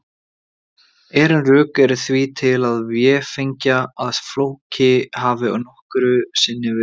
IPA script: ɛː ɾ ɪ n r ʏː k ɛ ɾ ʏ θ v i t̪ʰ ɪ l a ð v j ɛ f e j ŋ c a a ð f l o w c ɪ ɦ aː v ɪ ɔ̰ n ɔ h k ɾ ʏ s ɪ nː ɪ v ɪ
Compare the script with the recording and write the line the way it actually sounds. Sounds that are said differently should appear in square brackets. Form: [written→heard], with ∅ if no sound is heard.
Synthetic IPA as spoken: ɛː ɾ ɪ n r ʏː k ɛ ɾ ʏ θ v i t̪ʰ ɪ l a ð v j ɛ f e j [ŋ→ɲ] c a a ð f l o w c ɪ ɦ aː v ɪ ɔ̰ n ɔ h k ɾ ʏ s ɪ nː ɪ v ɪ